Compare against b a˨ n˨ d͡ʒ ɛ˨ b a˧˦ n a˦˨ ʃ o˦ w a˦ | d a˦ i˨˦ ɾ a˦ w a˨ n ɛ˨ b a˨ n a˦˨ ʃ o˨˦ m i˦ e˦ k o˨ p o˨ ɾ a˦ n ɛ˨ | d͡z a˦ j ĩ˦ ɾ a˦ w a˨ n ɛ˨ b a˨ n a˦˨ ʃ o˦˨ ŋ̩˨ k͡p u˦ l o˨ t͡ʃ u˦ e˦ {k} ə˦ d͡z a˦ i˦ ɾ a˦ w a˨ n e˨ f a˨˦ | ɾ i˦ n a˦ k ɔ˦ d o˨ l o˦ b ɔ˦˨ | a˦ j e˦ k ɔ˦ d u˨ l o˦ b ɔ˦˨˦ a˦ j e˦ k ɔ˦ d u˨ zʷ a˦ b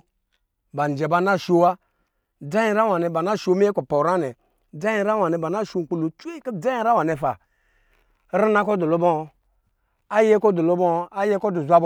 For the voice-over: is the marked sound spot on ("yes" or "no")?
yes